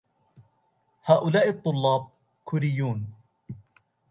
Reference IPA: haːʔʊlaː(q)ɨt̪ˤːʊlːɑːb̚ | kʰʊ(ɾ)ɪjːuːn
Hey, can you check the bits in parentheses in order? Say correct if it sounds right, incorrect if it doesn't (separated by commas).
incorrect, correct